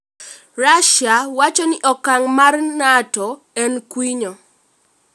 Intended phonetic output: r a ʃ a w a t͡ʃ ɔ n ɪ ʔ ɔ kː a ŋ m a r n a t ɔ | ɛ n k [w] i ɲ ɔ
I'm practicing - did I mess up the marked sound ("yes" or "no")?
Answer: no